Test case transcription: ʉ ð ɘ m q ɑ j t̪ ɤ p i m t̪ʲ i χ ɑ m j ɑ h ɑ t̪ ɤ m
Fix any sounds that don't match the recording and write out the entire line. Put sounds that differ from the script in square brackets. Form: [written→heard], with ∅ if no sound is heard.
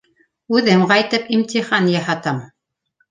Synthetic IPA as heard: ʉ ð ɘ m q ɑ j t̪ ɤ p i m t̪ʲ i χ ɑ [m→n] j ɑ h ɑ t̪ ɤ m